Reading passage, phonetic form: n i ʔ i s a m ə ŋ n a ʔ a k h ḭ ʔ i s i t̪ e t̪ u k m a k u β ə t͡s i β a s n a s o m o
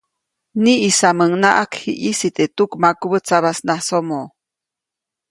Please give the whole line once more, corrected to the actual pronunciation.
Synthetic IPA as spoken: n i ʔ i s a m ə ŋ n a ʔ a k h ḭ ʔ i s i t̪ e t̪ u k m a k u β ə t͡s a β a s n a s o m o